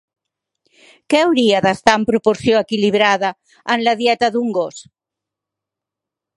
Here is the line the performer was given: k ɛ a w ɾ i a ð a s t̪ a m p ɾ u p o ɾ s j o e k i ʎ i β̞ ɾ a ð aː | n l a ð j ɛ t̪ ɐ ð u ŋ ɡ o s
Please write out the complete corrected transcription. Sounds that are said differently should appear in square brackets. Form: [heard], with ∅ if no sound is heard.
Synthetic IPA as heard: k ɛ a w ɾ i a ð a s t̪ a m p ɾ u p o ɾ s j o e k i [l] i β̞ ɾ a ð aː | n l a ð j ɛ t̪ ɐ ð u ŋ ɡ o s